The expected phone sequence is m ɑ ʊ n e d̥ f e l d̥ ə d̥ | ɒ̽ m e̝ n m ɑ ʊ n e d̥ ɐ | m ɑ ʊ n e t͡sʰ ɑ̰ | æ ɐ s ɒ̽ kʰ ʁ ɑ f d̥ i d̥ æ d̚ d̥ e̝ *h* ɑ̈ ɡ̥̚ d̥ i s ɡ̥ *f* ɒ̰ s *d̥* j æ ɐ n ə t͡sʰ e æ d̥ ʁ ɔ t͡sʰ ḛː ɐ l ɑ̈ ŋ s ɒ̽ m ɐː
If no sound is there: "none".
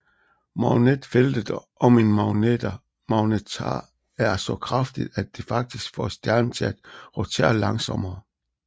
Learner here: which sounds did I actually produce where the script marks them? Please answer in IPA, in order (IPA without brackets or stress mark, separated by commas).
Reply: f, f, d̥